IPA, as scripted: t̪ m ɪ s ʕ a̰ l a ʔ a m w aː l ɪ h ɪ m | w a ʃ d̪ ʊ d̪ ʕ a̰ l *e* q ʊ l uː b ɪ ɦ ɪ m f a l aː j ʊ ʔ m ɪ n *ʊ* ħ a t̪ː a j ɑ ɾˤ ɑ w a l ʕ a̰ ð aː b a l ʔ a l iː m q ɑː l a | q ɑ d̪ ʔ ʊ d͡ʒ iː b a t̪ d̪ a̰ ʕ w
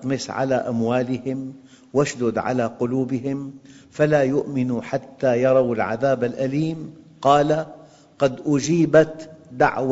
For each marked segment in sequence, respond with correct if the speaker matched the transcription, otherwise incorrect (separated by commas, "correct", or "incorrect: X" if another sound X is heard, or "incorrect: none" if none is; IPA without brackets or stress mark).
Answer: incorrect: a, incorrect: u